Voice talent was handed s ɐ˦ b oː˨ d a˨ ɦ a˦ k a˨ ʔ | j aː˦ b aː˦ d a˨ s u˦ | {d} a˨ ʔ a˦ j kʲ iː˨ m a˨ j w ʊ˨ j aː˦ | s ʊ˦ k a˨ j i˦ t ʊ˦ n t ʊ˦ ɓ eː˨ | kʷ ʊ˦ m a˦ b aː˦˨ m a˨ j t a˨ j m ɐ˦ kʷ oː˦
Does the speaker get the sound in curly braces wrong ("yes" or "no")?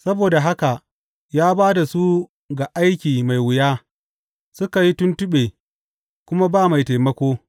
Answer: yes